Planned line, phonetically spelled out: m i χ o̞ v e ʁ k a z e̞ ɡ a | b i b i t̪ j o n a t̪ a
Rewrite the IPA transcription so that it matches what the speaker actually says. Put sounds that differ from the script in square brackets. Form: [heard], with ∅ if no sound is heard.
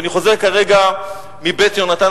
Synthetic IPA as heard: [n] i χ o̞ [z] e ʁ k a [ʁ] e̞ ɡ a | [m] i b [e] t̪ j o n a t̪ a